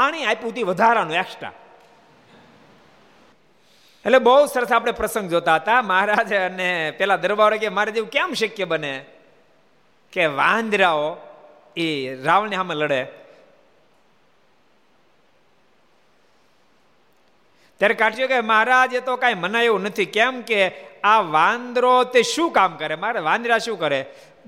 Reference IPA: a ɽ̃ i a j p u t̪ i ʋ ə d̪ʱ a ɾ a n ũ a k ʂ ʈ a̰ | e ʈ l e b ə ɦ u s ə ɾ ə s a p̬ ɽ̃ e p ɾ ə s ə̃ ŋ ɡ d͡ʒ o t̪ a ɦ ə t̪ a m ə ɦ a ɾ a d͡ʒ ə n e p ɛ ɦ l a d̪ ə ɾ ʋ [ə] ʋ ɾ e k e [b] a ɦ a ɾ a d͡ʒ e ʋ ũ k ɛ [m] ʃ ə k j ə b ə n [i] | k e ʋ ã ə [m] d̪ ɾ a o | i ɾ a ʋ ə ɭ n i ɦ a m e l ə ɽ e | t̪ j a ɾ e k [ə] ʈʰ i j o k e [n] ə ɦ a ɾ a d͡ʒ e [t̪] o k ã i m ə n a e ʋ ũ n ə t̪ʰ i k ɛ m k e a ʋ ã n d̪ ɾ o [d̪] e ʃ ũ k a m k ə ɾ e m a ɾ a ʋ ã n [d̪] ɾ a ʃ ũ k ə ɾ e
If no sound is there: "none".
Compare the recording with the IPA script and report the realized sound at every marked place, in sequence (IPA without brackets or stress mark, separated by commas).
a, m, m, e, n, a, m, t̪, t̪, d̪